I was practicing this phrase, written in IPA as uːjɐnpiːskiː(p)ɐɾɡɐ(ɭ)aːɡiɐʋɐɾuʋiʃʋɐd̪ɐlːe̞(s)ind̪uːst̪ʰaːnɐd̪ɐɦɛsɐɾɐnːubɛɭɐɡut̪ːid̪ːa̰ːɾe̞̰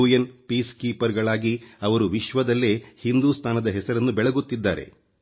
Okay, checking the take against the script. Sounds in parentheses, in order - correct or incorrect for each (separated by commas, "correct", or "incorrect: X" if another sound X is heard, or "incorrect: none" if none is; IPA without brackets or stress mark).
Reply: correct, correct, incorrect: h